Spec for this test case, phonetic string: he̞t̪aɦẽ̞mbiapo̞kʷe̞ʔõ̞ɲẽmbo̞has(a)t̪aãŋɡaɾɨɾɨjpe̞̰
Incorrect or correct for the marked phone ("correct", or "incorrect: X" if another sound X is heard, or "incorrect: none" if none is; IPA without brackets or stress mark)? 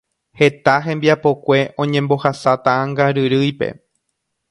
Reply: correct